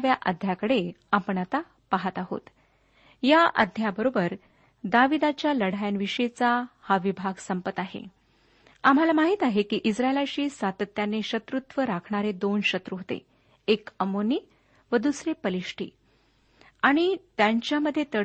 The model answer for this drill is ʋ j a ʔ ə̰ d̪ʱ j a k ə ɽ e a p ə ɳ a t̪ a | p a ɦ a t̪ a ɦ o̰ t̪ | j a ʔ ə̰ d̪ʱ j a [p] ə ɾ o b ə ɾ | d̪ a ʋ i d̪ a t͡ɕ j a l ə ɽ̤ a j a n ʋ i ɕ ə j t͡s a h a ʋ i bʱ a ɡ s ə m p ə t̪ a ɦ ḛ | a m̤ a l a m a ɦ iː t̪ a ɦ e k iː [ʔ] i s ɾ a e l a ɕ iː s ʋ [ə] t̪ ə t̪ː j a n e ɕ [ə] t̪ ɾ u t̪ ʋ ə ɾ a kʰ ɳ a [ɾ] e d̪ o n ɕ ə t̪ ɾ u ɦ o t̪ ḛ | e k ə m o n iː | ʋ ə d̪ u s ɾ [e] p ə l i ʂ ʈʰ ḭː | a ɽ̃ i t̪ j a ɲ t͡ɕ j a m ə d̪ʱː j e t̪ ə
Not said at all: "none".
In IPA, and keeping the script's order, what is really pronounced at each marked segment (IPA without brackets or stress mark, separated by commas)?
b, ʔ, a, ə, ɾ, e